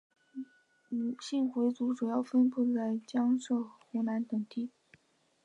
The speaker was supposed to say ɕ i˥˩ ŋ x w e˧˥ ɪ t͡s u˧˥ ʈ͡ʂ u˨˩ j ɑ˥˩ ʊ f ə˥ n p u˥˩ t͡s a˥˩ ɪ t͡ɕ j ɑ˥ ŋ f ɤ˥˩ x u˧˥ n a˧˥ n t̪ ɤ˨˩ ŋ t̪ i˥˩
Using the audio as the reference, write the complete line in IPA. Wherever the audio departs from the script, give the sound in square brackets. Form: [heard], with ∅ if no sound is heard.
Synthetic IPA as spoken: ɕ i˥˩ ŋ x w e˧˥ ɪ t͡s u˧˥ ʈ͡ʂ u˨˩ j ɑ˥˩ ʊ f ə˥ n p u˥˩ t͡s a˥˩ ɪ t͡ɕ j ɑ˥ ŋ [ʂ] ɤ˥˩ x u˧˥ n a˧˥ n t̪ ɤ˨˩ ŋ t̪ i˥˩